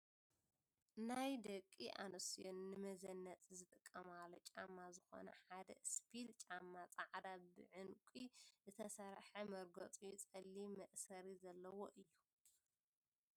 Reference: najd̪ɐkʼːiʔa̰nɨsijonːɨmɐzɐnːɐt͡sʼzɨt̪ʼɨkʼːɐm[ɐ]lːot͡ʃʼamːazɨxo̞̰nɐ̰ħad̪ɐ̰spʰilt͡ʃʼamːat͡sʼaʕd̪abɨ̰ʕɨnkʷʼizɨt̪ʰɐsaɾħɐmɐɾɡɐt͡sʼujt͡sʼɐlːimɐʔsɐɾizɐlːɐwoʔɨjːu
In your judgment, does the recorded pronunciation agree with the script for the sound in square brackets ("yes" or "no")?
no